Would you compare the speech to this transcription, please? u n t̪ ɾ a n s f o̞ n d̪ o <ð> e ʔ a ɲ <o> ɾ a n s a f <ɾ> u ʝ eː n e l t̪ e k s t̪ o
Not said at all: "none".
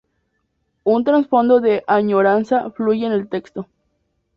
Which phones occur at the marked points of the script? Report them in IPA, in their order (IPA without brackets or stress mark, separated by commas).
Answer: ð, o, l